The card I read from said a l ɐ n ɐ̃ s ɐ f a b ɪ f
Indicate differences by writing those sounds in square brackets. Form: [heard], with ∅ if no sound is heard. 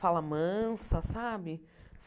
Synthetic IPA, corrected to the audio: a l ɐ [m] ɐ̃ s ɐ [s] a b ɪ f